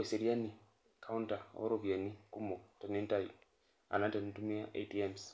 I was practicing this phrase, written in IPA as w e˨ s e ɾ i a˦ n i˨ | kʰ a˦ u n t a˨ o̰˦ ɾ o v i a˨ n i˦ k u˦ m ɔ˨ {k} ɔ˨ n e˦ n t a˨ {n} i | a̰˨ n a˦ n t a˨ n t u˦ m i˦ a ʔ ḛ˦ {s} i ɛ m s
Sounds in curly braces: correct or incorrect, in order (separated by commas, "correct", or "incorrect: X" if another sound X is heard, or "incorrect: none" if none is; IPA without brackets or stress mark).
incorrect: t, incorrect: none, incorrect: t